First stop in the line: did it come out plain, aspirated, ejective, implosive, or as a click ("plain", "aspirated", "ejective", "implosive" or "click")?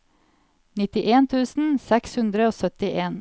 plain